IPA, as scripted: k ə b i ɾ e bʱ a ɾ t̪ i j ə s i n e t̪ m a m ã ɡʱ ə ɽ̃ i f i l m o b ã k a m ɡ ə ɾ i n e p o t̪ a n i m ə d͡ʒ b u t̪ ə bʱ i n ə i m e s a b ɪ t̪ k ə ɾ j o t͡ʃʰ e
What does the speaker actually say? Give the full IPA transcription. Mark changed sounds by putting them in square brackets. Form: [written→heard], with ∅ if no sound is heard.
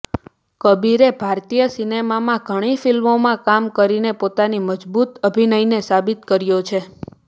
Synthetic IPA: k ə b i ɾ e bʱ a ɾ t̪ i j ə s i n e [t̪→∅] m a m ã ɡʱ ə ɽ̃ i f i l m o [b→m] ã k a m [ɡ→k] ə ɾ i n e p o t̪ a n i m ə d͡ʒ b u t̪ ə bʱ i n ə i [m→n] e s a b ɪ t̪ k ə ɾ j o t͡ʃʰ e